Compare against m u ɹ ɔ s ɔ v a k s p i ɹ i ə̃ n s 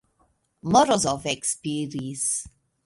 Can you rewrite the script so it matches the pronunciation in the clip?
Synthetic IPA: m ɔ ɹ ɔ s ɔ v ɛ k s p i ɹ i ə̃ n s